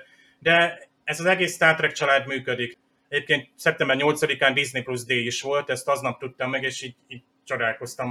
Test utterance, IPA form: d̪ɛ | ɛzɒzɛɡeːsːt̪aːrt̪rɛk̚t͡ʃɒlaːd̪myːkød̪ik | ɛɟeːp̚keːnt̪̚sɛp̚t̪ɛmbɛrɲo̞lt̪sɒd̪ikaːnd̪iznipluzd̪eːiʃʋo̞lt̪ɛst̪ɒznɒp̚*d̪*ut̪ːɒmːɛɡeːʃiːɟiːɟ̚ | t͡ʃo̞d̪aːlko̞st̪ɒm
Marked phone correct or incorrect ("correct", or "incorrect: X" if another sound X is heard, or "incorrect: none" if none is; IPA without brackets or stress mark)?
incorrect: t̪